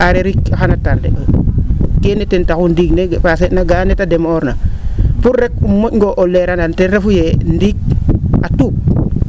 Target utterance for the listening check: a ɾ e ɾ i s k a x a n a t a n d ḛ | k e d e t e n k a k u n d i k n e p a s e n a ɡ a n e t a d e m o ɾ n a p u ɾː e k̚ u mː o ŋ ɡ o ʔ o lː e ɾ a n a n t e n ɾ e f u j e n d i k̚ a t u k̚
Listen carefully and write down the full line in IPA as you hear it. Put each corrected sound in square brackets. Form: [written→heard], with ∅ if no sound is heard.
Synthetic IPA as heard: a ɾ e ɾ i [s→∅] k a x a n a t a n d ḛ | k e [d→n] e t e n [k→t] a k u n d i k n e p a s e n a ɡ a n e t a d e m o ɾ n a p u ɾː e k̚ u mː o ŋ ɡ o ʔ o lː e ɾ a n a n t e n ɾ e f u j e n d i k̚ a t u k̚